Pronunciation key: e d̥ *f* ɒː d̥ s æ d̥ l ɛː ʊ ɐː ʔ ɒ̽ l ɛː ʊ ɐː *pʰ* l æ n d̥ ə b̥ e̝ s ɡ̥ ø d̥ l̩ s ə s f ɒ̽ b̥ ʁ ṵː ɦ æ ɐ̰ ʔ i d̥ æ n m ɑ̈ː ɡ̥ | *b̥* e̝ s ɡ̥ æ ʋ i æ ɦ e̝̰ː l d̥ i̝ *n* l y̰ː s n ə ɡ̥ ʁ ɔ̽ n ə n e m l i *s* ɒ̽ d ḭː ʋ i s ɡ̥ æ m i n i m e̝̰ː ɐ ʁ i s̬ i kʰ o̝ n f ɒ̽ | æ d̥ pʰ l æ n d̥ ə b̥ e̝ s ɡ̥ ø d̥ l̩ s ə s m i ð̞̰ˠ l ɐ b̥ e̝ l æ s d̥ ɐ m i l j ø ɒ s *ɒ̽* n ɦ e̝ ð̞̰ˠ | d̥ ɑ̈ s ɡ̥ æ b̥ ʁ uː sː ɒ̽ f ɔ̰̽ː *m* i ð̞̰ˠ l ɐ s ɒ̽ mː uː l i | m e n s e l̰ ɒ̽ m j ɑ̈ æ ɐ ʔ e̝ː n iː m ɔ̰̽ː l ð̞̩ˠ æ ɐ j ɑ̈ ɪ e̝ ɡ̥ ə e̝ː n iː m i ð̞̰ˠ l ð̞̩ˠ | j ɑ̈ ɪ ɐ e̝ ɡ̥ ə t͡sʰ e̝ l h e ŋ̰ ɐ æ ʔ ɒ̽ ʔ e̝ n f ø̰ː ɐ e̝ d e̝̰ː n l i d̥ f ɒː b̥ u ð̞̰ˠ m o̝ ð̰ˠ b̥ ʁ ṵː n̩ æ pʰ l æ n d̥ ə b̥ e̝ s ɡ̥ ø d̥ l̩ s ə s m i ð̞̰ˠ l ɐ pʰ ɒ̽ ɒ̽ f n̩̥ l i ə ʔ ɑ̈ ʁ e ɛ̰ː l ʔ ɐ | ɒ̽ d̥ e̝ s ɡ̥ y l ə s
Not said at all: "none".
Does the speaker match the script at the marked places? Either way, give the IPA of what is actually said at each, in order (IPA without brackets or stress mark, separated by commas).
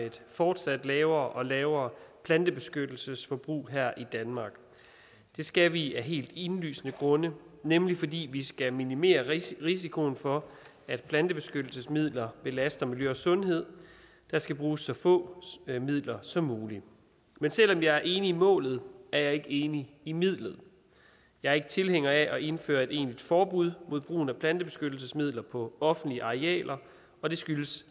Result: f, pʰ, d̥, n, f, ɔ̽, m